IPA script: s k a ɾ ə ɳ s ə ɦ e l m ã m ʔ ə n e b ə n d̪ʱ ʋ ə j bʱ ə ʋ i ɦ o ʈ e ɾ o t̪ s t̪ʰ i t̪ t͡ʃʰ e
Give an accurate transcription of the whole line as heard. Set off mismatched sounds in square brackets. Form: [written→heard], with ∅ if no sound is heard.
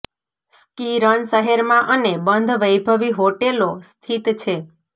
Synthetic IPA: s k [a→i] ɾ ə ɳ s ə ɦ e [l→ɾ] m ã [m→∅] ʔ ə n e b ə n d̪ʱ ʋ ə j bʱ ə ʋ i ɦ o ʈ e [ɾ→l] o [t̪→∅] s t̪ʰ i t̪ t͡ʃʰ e